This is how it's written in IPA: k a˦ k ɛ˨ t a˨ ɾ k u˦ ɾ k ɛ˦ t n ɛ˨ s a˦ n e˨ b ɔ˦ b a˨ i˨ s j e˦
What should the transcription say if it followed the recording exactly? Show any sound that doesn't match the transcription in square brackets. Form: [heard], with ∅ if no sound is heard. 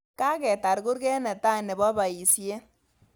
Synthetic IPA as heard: k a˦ k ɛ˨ t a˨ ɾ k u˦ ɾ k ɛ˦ [∅] n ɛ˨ [t] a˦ n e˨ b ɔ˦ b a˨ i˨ s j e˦

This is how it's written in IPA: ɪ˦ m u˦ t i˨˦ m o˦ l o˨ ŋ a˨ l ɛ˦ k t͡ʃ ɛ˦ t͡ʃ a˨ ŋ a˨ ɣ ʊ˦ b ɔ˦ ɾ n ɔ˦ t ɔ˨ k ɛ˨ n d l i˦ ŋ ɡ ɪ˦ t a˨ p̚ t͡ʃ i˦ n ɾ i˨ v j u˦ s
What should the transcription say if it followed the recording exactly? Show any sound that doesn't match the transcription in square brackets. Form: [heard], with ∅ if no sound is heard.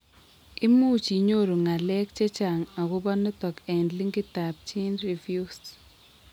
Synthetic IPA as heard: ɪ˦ m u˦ [t͡ʃ] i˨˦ [ɲ] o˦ [ɾ] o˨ ŋ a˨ l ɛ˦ k t͡ʃ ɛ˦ t͡ʃ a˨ ŋ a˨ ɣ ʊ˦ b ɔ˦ [∅] n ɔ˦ t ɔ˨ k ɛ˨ n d l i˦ ŋ ɡ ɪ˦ t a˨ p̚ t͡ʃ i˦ n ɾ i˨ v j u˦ s

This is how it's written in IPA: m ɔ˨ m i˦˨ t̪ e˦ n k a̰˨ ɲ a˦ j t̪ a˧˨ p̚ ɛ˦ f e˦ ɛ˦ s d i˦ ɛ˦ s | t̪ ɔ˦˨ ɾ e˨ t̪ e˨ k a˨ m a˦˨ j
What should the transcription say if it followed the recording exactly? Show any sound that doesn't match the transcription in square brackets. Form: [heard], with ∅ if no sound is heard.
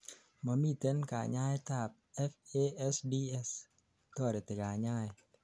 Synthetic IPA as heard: m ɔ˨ m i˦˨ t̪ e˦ n k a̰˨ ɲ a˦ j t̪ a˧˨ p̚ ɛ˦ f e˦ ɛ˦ s d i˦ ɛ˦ s | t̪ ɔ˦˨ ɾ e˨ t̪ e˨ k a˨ [ɲ] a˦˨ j

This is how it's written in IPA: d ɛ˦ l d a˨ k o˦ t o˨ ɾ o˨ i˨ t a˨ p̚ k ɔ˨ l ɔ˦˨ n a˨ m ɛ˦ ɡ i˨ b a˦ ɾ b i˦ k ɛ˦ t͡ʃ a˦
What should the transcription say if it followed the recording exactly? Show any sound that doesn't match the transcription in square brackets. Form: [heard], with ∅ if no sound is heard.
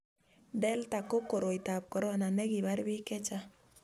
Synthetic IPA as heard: d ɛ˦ l [t] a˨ k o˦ [k] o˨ ɾ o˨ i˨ t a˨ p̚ k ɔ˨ [ɾ] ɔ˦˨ n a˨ [n] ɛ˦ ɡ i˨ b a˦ ɾ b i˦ k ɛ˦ t͡ʃ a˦

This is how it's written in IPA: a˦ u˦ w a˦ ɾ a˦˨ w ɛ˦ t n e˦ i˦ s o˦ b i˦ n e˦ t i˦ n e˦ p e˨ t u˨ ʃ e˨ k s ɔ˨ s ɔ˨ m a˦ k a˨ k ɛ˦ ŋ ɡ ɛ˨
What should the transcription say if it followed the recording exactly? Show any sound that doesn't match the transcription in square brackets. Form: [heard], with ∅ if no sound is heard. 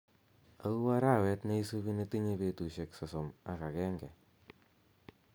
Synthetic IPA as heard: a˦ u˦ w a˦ ɾ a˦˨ w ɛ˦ t n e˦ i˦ s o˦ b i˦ n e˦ t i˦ [ɲ] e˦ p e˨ t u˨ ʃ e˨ k s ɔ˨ s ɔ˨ m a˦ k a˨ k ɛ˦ ŋ ɡ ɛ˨

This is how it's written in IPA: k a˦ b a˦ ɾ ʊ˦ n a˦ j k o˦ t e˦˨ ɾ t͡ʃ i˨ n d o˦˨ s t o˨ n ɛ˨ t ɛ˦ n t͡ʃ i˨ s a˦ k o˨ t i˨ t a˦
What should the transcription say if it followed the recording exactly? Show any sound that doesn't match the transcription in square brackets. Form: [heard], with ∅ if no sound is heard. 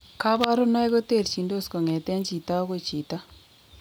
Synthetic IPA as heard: k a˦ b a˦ ɾ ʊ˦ n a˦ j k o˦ t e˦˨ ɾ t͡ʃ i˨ n d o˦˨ s [k] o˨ [ŋ] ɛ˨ t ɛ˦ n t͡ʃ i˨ [t] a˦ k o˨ [t͡ʃ] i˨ t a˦

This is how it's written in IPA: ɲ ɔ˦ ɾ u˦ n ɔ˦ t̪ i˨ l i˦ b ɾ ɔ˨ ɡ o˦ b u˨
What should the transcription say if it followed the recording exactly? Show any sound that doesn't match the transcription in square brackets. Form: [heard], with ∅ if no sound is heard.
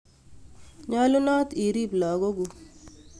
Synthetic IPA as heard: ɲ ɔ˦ [l] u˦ n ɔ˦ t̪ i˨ [ɾ] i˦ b [l] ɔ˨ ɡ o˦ [ɡ] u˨

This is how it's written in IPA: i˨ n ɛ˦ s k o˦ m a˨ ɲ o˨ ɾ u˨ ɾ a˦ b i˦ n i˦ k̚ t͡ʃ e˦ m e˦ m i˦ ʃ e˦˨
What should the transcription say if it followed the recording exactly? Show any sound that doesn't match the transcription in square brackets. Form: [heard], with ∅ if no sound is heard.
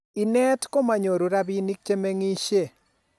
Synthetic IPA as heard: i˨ n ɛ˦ [t] k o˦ m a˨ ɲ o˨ ɾ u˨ ɾ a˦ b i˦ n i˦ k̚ t͡ʃ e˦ m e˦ [ŋ] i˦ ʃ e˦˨

